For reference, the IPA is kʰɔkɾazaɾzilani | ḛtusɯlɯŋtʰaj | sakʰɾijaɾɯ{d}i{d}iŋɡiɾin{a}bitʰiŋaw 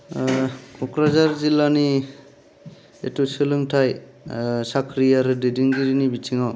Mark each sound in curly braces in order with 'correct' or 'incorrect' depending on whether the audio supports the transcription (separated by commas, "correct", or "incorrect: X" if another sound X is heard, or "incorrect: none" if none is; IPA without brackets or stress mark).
correct, correct, incorrect: i